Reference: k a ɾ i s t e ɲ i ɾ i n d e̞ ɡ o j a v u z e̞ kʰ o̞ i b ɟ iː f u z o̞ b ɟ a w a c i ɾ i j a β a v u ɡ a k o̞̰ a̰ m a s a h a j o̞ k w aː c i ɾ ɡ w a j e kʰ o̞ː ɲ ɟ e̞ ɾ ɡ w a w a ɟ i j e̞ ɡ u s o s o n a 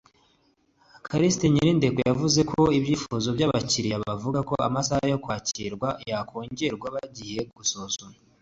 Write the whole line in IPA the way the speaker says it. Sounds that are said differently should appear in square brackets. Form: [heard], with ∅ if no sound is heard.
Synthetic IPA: k a ɾ i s t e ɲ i ɾ i n d e̞ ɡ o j a v u z e̞ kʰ o̞ i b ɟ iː f u z o̞ b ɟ a [β] a c i ɾ i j a β a v u ɡ a k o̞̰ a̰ m a s a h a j o̞ k w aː c i ɾ ɡ w a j [a] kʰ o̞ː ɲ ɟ e̞ ɾ ɡ w a [β] a ɟ i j e̞ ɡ u s o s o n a